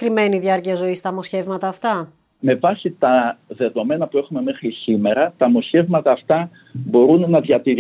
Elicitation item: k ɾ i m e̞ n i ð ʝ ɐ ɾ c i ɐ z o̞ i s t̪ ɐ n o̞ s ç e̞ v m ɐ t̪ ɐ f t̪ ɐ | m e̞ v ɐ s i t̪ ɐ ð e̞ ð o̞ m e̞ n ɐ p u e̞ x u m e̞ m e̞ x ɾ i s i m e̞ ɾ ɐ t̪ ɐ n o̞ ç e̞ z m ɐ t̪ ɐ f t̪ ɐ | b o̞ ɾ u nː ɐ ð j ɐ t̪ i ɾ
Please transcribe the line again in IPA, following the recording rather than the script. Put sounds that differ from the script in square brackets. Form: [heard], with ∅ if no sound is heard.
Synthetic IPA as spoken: k ɾ i m e̞ n i ð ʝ ɐ ɾ c i ɐ z o̞ i s t̪ ɐ [m] o̞ s ç e̞ v m ɐ t̪ [ɐː] f t̪ ɐ | m e̞ v ɐ s i t̪ ɐ ð e̞ ð o̞ m e̞ n ɐ p u e̞ x u m e̞ m e̞ x ɾ i s i m e̞ ɾ ɐ t̪ ɐ [m] o̞ ç e̞ [v] m ɐ t̪ [ɐː] f t̪ ɐ | b o̞ ɾ u nː ɐ ð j ɐ t̪ i ɾ